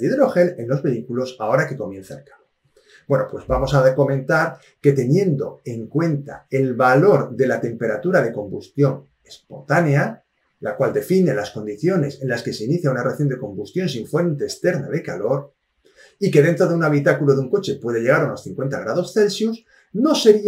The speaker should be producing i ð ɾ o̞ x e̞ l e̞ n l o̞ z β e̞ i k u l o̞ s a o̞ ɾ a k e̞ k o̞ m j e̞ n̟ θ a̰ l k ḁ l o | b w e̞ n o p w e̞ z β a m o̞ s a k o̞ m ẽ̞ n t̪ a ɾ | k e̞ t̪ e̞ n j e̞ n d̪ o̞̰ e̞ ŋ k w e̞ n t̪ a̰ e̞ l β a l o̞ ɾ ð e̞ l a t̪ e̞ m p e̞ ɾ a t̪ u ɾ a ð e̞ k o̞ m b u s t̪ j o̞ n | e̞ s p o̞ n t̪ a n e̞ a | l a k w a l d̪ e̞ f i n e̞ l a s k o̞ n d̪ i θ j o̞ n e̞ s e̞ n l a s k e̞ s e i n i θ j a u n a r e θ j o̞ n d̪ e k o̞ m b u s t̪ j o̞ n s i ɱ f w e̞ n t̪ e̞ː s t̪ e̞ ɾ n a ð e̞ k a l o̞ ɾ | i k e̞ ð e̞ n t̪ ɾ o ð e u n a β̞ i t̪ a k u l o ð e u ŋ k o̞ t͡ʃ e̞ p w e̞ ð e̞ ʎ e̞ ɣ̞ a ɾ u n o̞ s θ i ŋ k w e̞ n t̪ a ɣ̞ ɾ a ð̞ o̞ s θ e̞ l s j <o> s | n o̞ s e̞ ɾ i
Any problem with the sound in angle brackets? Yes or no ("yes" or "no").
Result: yes